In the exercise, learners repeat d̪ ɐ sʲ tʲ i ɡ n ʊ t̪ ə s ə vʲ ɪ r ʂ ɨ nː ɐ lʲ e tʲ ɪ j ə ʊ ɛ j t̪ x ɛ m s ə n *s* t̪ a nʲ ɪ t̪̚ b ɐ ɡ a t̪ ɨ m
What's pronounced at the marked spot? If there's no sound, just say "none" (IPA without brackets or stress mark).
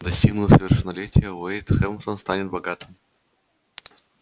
s